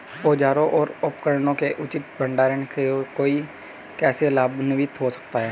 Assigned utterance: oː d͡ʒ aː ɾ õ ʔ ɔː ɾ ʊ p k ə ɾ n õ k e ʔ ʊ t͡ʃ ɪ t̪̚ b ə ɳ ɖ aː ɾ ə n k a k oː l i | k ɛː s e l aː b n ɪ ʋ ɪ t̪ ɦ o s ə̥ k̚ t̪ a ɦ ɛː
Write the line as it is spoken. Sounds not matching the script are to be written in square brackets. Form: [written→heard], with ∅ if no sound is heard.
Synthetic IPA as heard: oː d͡ʒ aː ɾ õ ʔ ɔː ɾ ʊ p k ə ɾ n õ k e ʔ ʊ t͡ʃ ɪ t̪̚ b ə ɳ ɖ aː ɾ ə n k [a→e] k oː [l→∅] i | k ɛː s e l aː b n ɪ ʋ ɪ t̪ ɦ o s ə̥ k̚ t̪ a ɦ ɛː